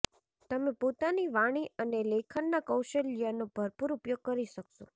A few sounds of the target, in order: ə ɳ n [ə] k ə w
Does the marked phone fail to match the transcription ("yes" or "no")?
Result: yes